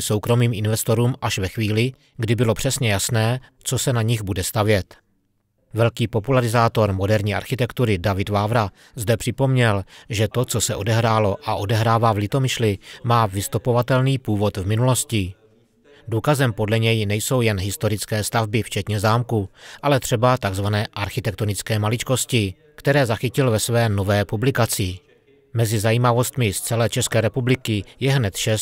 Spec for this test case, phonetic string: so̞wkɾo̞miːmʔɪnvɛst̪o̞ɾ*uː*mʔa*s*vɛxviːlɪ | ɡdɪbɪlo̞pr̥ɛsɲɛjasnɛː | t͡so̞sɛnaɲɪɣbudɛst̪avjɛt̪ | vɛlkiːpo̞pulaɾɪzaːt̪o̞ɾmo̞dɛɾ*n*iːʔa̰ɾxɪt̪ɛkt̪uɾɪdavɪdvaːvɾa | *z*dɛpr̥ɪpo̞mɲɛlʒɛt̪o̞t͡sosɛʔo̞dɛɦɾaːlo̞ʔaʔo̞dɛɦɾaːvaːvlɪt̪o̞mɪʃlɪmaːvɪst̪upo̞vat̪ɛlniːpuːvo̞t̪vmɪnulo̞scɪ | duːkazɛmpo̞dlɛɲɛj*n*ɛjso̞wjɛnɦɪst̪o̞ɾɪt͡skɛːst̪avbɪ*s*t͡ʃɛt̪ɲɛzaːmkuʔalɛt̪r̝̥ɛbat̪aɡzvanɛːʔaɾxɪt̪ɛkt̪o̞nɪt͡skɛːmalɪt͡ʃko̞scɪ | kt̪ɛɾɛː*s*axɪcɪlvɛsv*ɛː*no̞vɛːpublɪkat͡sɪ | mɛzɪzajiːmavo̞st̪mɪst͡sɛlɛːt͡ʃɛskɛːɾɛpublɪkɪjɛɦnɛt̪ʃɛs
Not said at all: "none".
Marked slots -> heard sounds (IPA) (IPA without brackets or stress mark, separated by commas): uː, ʃ, ɲ, z, n, f, z, ɛː